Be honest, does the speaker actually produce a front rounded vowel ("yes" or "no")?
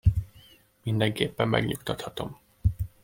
no